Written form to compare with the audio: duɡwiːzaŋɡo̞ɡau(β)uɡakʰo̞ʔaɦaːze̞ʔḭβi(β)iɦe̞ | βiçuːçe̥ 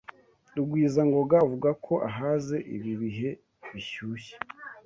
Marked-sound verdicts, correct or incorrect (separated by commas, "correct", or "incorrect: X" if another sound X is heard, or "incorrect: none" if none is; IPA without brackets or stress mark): incorrect: v, correct